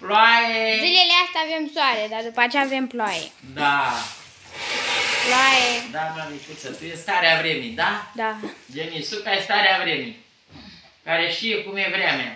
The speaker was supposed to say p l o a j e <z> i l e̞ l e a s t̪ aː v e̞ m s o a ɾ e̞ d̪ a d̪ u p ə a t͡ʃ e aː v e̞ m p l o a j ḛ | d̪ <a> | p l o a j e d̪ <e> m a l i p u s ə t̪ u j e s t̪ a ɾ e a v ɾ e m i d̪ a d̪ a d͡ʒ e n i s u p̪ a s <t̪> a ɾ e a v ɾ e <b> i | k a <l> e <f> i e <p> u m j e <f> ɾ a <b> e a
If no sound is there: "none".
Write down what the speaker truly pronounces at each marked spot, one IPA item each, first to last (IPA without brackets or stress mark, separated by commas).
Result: z, a, a, t̪, m, ɾ, ʃ, k, v, m